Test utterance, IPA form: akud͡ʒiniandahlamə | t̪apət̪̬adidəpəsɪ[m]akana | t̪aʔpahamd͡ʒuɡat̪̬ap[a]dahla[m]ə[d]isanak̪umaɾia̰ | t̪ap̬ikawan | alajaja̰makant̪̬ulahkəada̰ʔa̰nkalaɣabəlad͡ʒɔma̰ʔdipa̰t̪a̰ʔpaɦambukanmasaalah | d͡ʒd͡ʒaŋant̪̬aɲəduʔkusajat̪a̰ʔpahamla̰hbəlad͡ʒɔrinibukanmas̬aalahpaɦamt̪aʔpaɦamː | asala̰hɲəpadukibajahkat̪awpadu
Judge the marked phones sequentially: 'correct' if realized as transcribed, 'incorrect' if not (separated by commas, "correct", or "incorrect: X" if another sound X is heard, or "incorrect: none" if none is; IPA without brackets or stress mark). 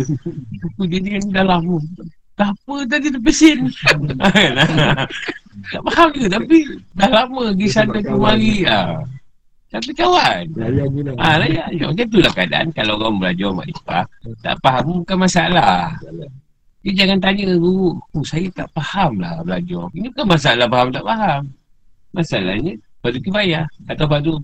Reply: incorrect: n, incorrect: i, correct, incorrect: ɡ